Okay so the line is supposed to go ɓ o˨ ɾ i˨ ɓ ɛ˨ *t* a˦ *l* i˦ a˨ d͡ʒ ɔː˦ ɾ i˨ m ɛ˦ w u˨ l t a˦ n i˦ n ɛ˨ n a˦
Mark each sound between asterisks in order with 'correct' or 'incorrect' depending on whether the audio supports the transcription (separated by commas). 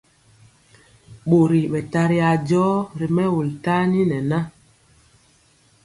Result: correct, incorrect